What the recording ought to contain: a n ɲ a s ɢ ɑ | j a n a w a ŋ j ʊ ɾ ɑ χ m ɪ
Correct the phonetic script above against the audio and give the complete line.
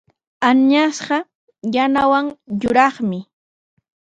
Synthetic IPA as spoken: a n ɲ a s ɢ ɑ | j a n a w a ŋ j ʊ ɾ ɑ χ m ɪ